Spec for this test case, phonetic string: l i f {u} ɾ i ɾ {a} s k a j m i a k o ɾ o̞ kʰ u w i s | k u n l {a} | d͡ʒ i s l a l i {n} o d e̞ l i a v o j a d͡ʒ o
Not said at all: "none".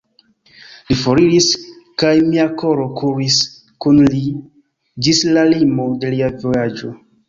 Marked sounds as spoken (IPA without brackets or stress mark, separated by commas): o, i, i, m